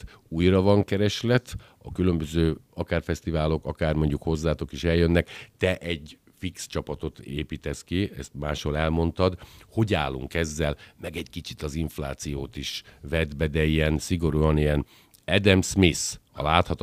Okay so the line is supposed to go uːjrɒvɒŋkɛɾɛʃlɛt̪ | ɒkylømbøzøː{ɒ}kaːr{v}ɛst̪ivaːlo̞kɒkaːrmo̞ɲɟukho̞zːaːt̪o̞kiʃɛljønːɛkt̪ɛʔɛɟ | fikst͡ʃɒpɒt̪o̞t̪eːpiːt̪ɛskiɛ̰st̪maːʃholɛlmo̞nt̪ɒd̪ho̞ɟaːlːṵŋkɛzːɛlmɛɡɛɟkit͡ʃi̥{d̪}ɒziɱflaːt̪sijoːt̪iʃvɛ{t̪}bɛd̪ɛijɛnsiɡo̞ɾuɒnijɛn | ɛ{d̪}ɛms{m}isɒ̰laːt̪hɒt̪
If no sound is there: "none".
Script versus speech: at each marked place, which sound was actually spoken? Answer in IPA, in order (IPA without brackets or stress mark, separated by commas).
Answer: ɒ, f, t̪, d̪, d̪, m